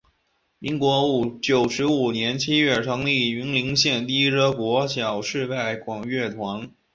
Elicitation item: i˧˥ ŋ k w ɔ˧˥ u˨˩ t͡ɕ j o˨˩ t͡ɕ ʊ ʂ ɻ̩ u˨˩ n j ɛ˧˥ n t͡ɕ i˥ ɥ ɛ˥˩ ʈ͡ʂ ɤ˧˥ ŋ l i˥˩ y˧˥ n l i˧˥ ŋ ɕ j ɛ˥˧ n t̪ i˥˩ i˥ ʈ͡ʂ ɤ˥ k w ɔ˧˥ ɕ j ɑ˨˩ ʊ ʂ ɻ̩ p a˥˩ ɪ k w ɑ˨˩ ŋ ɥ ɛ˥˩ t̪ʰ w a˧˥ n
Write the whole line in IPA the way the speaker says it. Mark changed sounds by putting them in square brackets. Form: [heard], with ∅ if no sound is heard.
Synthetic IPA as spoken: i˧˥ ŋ k w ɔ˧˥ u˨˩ t͡ɕ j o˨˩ [∅] ʊ ʂ ɻ̩ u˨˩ n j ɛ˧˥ n [t͡ɕʰ] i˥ ɥ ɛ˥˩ [ʈ͡ʂʰ] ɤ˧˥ ŋ l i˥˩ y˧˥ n l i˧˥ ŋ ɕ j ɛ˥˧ n t̪ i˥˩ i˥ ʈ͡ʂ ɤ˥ k w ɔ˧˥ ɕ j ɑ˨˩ ʊ ʂ ɻ̩ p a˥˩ ɪ k w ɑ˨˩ ŋ ɥ ɛ˥˩ t̪ʰ w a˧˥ n